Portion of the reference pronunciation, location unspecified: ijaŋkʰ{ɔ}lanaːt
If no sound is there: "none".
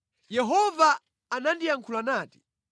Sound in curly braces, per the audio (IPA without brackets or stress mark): u